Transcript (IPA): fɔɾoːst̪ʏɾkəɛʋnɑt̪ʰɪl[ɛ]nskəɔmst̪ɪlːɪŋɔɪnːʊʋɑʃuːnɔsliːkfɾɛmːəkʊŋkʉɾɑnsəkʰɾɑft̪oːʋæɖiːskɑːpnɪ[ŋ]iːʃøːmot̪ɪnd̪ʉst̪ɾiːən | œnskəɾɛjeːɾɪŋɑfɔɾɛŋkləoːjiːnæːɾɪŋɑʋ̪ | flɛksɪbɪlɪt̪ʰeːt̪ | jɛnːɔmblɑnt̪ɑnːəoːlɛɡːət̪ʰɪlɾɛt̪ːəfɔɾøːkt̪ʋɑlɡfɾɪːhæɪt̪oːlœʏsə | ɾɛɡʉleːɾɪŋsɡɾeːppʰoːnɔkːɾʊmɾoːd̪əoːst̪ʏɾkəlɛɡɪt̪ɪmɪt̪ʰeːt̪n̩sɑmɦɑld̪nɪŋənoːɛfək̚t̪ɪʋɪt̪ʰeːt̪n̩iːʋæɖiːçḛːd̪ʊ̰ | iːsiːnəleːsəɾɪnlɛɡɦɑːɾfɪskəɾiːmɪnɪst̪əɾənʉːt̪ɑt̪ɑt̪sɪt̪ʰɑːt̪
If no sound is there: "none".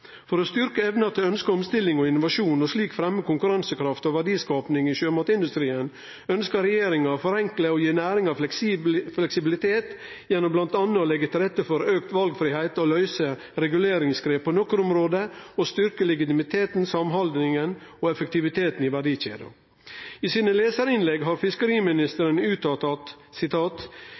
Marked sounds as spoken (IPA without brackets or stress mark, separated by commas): œ, ŋ